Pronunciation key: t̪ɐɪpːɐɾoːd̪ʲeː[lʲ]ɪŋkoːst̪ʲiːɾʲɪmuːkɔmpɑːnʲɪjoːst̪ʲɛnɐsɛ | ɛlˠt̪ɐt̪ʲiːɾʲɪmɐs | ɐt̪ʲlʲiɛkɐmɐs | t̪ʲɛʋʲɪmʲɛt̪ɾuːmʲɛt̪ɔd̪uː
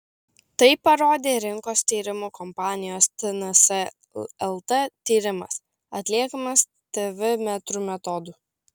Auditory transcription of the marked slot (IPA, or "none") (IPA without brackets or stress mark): ɾʲ